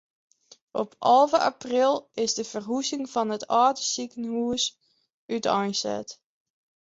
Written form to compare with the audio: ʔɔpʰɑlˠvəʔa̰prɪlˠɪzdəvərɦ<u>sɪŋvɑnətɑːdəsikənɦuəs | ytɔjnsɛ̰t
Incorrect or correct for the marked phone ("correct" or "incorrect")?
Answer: correct